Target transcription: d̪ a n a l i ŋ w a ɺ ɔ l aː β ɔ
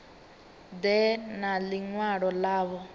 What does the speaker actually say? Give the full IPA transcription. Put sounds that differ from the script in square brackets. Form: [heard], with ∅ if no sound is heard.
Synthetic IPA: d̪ [ɛ] n a l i ŋ w a ɺ ɔ l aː β ɔ